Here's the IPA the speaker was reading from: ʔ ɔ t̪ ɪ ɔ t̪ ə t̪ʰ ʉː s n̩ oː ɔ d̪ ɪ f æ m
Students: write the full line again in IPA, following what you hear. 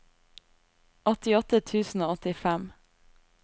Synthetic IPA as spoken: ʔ ɔ t̪ ɪ ɔ t̪ ə t̪ʰ ʉː s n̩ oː ɔ t̪ ɪ f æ m